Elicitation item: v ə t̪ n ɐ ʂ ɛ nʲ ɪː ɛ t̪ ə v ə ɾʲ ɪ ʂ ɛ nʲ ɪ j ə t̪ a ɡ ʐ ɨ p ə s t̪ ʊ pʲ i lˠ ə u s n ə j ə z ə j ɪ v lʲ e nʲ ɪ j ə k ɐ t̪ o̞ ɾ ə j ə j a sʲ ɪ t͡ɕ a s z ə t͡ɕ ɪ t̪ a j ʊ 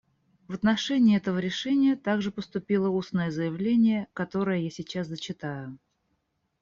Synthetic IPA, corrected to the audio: v ə t̪ n ɐ ʂ ɛ nʲ ɪː ɛ t̪ ə v ə ɾʲ ɪ ʂ ɛ nʲ ɪ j ə t̪ a ɡ ʐ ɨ p ə s t̪ ʊ pʲ i lˠ ə u s n ə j ə z ə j ɪ v lʲ e nʲ ɪ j ə k ɐ t̪ o̞ ɾ ə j ə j a sʲ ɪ t͡ɕ a s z ə t͡ɕ ɪ t̪ a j ʊ